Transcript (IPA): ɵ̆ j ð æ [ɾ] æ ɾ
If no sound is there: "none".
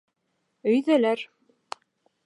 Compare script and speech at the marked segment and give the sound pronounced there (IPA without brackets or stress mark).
l